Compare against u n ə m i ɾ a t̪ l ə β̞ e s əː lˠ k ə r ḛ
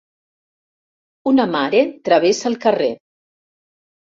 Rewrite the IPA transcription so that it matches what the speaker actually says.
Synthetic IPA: u n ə m a ɾ e t̪ ɾ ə β̞ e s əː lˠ k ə r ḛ